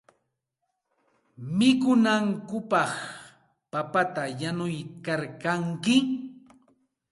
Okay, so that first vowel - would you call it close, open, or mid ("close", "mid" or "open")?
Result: close